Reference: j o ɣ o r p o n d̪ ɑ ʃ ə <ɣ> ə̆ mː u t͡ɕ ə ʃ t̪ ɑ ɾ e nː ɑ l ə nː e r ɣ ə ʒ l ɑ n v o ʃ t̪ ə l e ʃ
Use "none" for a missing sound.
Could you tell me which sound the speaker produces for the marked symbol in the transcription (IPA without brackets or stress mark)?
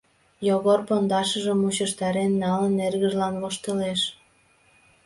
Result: ʒ